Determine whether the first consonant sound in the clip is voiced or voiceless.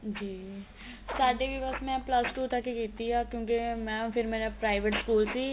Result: voiced